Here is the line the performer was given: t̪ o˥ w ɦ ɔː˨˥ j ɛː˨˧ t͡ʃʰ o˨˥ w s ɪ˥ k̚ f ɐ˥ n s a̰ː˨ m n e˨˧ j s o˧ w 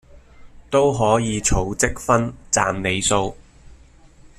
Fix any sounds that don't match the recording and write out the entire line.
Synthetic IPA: t̪ o˥ w ɦ ɔː˨˥ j iː˨˧ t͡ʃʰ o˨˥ w t͡s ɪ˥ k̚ f ɐ˥ n t͡s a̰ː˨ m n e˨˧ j s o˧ w